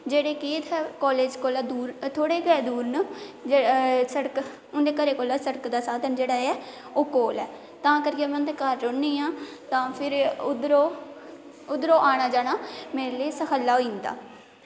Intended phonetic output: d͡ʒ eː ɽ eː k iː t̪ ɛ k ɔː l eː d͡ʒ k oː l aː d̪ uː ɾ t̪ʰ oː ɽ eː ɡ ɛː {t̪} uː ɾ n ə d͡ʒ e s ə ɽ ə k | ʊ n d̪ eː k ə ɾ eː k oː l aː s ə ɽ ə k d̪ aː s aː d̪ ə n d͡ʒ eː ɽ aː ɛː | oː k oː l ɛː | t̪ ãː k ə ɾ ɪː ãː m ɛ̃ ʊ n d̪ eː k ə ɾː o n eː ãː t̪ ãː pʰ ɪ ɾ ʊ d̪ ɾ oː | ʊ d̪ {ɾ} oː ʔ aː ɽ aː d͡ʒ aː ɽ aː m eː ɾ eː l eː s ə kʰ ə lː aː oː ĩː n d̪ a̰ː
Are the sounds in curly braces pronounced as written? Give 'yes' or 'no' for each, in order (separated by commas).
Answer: no, yes